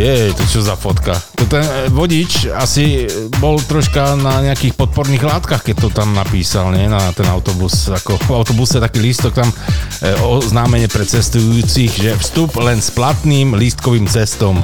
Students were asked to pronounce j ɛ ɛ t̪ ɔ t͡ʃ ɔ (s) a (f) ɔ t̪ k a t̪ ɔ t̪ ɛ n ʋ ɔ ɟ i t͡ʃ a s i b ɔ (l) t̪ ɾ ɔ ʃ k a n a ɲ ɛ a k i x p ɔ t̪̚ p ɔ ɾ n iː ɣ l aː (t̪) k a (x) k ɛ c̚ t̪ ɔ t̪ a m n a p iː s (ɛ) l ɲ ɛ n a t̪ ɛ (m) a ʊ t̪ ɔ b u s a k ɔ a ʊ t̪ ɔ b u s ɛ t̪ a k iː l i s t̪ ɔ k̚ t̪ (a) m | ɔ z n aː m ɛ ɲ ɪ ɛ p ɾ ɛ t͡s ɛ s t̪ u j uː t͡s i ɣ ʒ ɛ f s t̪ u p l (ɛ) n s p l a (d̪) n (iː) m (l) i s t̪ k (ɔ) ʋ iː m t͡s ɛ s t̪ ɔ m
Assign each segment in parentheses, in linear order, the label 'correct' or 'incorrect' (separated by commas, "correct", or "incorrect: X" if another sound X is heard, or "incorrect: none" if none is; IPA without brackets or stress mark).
incorrect: z, correct, correct, correct, correct, incorrect: a, incorrect: n, correct, correct, incorrect: t̪, correct, correct, correct